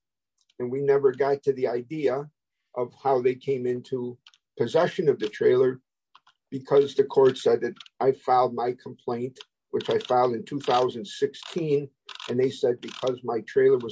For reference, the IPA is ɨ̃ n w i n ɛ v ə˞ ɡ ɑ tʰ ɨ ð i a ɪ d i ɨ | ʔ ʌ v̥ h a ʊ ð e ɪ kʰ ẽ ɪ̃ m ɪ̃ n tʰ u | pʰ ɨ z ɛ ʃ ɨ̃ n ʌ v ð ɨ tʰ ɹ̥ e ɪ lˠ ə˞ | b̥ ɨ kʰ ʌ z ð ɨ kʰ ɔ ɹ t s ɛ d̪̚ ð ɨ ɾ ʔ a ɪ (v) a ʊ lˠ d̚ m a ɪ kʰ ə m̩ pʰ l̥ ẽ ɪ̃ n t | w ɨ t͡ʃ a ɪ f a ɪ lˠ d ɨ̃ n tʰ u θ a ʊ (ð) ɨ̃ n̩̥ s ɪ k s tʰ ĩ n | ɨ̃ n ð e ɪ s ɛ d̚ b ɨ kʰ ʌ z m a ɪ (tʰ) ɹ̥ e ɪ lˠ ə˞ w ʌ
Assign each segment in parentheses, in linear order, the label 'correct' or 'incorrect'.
incorrect: f, incorrect: z, correct

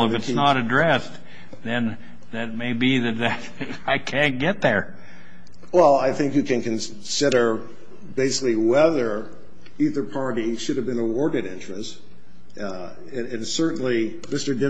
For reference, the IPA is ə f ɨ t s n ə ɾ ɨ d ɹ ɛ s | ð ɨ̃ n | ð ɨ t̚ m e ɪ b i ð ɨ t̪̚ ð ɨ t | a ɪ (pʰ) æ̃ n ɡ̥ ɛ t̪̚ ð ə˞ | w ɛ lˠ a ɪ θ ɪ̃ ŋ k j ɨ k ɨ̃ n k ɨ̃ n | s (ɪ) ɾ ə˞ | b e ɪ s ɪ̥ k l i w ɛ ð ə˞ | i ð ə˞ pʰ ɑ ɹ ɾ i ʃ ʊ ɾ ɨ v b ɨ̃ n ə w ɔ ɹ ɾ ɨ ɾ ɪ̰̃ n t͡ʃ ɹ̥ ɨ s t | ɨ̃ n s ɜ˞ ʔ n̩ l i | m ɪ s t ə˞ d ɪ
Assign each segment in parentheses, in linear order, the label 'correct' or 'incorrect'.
incorrect: kʰ, correct

